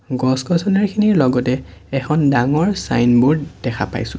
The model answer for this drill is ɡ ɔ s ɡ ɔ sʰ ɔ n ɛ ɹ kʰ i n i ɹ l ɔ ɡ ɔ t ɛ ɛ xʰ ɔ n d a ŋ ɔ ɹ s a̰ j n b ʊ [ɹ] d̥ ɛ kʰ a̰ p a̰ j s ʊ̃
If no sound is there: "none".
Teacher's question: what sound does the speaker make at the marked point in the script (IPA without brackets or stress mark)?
ɹ